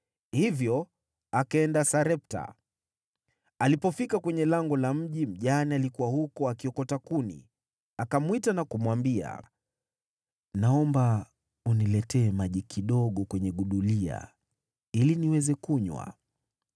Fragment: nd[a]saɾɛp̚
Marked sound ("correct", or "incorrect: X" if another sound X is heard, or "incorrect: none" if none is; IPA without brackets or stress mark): correct